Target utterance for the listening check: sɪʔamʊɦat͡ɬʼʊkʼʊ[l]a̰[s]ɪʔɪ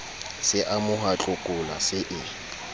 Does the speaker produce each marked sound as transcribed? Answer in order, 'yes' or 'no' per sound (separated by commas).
yes, yes